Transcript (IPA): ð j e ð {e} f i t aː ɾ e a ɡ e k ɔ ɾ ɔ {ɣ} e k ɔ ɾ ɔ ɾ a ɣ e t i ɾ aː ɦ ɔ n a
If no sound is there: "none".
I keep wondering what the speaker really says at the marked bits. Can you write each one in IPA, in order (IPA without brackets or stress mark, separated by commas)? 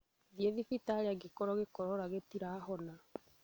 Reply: i, ɣ